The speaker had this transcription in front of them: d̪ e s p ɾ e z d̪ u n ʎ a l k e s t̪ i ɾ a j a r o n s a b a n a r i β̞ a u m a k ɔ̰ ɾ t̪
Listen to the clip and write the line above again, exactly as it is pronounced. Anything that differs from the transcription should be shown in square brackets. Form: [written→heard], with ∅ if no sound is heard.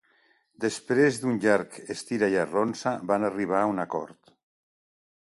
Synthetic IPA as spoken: d̪ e s p ɾ e z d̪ u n ʎ a [l→ɾ] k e s t̪ i ɾ a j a r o n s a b a n a r i β̞ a u [m→n] a k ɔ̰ ɾ t̪